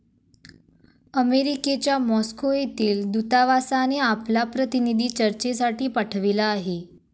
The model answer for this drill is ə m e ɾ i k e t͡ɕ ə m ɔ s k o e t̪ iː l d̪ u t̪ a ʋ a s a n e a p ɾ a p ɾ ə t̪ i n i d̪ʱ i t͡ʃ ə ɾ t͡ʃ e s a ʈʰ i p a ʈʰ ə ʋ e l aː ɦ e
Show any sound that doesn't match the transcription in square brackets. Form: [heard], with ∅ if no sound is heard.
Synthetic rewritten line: ə m e ɾ i k e t͡ɕ [a] m ɔ s k o e t̪ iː l d̪ u t̪ a ʋ a s a n e a p [l] a p ɾ ə t̪ i n i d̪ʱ i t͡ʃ ə ɾ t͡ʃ e s a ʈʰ i p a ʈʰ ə ʋ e l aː ɦ e